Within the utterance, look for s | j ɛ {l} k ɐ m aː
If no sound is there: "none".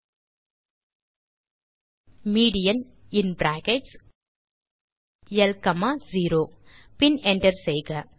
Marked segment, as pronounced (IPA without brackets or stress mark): l